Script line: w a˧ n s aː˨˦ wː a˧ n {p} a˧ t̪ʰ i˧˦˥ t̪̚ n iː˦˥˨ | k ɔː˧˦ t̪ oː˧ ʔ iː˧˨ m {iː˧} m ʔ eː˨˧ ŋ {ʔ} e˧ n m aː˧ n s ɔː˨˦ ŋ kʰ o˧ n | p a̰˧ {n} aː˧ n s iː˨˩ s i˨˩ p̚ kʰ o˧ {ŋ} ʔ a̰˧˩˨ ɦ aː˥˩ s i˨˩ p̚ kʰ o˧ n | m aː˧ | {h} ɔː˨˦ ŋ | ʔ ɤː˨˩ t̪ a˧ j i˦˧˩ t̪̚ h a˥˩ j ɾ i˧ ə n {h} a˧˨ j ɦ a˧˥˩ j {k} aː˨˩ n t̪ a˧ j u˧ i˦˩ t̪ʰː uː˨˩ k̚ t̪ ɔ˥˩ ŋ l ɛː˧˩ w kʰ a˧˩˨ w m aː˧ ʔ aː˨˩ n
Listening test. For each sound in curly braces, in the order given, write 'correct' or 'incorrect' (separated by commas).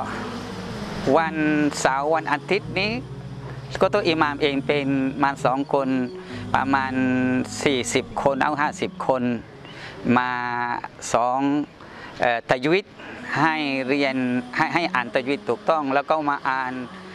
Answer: incorrect, incorrect, incorrect, incorrect, incorrect, incorrect, correct, incorrect